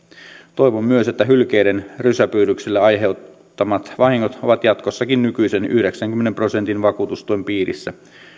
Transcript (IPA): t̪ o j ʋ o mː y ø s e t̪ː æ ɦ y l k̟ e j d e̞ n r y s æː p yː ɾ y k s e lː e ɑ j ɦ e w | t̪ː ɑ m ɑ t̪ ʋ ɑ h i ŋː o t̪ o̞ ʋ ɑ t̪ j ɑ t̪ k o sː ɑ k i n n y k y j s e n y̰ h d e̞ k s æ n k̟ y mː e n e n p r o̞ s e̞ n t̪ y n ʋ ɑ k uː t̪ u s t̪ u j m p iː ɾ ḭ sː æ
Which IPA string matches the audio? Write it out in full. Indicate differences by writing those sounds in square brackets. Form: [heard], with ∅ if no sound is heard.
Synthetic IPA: t̪ o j ʋ o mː y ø s e t̪ː æ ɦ y l k̟ e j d e̞ n r y s [æ] p yː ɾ y k s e lː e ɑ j ɦ e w | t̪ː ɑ m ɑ t̪ ʋ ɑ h i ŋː o t̪ o̞ ʋ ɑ t̪ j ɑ t̪ k o sː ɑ k i n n y k y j s e n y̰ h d e̞ k s æ [ŋ] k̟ y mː e n e [m] p r o̞ s e̞ n t̪ [i] n ʋ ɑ k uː t̪ u s t̪ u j m p iː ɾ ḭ sː æ